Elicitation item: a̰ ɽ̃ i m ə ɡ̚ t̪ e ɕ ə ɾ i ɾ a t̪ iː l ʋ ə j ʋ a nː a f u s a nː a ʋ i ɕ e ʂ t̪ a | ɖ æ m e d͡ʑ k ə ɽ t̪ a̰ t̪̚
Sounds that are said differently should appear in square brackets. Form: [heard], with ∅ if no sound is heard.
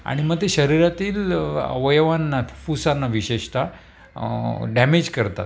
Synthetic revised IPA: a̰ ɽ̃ i m ə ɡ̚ t̪ e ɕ ə ɾ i ɾ a t̪ iː l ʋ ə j ʋ a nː a f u s a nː a ʋ i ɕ e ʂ t̪ a | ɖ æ m e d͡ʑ k ə [ɾ] t̪ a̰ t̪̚